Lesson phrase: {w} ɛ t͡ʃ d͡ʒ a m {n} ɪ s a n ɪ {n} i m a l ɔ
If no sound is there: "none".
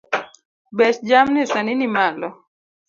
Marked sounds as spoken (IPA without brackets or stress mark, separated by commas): b, n, n